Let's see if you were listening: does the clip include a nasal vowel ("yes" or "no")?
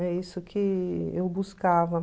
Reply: no